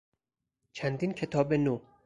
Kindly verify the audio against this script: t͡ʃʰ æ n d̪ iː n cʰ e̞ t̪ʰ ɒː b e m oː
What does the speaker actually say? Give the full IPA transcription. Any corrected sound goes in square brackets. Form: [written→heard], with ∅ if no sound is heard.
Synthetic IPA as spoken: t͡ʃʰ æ n d̪ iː n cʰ e̞ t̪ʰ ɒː b e [m→n] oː

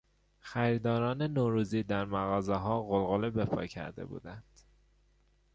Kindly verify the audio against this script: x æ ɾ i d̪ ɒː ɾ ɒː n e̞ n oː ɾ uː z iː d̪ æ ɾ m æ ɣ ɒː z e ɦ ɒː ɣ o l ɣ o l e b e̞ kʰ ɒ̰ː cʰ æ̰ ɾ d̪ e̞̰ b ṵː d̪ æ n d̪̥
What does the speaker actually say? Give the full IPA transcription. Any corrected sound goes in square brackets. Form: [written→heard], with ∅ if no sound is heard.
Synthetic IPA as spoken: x æ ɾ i d̪ ɒː ɾ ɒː n e̞ n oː ɾ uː z iː d̪ æ ɾ m æ ɣ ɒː z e ɦ ɒː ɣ o l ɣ o l e b e̞ [kʰ→pʰ] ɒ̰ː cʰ æ̰ ɾ d̪ e̞̰ b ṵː d̪ æ n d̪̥

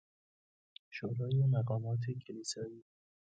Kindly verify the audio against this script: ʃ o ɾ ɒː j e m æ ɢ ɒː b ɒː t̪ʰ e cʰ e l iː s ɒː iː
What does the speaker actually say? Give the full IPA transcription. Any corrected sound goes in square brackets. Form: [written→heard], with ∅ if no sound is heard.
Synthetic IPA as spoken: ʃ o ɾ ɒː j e m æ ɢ ɒː [b→m] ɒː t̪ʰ e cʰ e l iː s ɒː iː

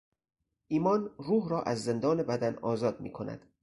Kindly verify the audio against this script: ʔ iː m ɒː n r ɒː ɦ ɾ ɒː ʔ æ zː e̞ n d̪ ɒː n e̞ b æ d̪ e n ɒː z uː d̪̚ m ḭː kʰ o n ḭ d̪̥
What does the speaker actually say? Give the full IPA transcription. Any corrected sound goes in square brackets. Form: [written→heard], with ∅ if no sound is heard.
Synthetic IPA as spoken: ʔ iː m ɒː n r [ɒː→uː] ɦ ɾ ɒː ʔ æ zː e̞ n d̪ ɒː n e̞ b æ d̪ [e→æ] n ɒː z [uː→ɒː] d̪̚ m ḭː kʰ o n [ḭ→æ̰] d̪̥

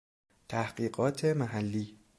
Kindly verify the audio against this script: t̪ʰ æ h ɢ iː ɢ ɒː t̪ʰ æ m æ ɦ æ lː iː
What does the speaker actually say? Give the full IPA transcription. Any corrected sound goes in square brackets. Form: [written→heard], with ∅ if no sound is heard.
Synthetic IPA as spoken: t̪ʰ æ h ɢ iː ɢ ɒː t̪ʰ [æ→e] m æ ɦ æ lː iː

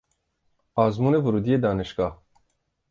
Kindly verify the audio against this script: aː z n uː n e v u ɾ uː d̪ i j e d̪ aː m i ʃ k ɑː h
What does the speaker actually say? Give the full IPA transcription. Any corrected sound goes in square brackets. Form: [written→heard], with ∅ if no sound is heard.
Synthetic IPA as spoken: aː z [n→m] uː n e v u ɾ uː d̪ i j e d̪ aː [m→n] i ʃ k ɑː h

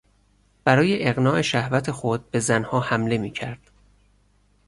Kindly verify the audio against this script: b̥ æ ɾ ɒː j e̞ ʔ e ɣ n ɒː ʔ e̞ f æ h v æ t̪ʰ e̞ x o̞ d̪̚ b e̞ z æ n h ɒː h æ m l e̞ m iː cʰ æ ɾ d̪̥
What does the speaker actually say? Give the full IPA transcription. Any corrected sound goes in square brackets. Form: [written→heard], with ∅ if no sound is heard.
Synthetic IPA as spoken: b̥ æ ɾ ɒː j e̞ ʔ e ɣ n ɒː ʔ e̞ [f→ʃ] æ h v æ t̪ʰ e̞ x o̞ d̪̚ b e̞ z æ n h ɒː h æ m l e̞ m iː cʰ æ ɾ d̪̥

